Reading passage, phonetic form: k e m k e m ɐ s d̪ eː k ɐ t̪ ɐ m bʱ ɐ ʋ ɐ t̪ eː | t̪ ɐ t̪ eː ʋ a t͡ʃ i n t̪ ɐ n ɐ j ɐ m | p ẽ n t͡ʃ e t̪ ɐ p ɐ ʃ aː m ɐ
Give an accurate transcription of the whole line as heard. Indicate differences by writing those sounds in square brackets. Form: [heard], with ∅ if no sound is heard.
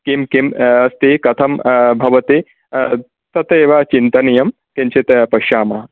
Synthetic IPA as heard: k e m k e m ɐ s [t̪] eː k ɐ [t̪ʰ] ɐ m bʱ ɐ ʋ ɐ t̪ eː | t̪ ɐ t̪ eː ʋ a t͡ʃ i n t̪ ɐ n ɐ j ɐ m | [k] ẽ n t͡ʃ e t̪ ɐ p ɐ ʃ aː m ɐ